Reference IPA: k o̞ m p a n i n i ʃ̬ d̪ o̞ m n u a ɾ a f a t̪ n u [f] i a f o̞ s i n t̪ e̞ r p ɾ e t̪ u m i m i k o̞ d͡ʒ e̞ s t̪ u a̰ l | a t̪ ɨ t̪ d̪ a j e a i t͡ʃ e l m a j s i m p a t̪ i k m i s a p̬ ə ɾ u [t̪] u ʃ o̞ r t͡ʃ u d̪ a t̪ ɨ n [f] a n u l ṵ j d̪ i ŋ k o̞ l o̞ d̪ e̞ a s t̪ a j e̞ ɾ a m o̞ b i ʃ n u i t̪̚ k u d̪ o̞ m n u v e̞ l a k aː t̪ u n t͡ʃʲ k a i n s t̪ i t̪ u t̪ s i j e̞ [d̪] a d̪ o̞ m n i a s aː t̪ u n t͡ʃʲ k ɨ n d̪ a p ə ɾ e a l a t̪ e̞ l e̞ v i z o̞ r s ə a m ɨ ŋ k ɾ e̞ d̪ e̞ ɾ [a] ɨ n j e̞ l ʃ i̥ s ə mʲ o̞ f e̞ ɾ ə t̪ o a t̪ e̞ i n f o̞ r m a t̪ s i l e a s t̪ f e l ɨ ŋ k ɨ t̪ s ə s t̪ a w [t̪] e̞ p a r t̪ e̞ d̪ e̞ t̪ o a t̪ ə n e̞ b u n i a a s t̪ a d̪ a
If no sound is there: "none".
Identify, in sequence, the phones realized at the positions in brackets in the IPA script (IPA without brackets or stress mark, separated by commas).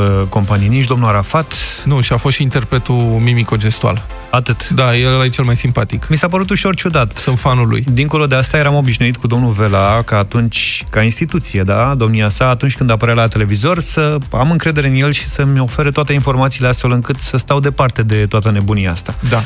ʃ, t̪, f, d̪, e, d̪